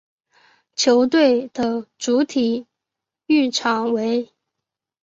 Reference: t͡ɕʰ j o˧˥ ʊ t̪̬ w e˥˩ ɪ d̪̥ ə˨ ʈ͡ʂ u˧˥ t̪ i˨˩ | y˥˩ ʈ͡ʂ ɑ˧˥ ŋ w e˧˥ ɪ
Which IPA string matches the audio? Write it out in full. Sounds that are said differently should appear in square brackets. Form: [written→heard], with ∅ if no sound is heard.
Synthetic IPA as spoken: t͡ɕʰ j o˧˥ ʊ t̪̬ w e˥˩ ɪ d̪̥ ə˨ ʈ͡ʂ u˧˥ [t̪→t̪ʰ] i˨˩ | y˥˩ [ʈ͡ʂ→ʈ͡ʂʰ] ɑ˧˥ ŋ w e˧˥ ɪ